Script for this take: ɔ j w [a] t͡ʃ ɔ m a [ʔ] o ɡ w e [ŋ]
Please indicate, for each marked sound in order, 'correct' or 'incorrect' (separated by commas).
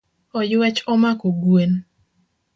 incorrect, incorrect, incorrect